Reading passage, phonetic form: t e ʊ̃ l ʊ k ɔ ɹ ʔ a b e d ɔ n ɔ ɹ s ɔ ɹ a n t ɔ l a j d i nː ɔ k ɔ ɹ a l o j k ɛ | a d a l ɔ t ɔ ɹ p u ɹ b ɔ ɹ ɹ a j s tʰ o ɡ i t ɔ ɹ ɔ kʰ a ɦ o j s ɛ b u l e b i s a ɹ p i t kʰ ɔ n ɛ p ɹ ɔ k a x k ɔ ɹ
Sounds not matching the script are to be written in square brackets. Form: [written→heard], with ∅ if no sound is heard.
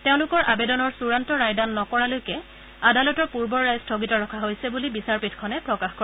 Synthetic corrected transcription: t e ʊ̃ l ʊ k ɔ ɹ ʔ a b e d ɔ n ɔ ɹ s [ɔ→u] ɹ a n t ɔ [l→ɹ] a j d [i→a] nː ɔ k ɔ ɹ a l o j k ɛ | a d a l ɔ t ɔ ɹ p u ɹ b ɔ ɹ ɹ a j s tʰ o ɡ i t ɔ ɹ ɔ kʰ a ɦ o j s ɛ b u l [e→i] b i s a ɹ p i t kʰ ɔ n ɛ p ɹ ɔ k a x k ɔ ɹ